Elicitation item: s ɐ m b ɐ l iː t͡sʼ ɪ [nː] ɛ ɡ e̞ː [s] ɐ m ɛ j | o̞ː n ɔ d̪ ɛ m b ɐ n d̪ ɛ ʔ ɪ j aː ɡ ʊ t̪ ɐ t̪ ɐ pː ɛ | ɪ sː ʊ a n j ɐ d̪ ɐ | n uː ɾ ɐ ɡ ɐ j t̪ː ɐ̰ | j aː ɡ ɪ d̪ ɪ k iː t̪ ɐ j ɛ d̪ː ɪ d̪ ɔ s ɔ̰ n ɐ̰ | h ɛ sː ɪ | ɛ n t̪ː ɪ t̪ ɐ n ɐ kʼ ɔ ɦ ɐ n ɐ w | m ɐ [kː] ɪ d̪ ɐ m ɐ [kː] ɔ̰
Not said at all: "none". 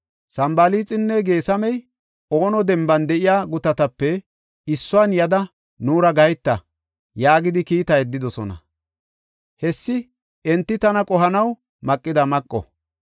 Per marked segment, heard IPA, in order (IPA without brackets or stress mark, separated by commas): nː, s, kʼː, kʼː